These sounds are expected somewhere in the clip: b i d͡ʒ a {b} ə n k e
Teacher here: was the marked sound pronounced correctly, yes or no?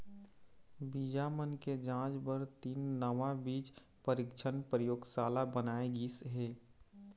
no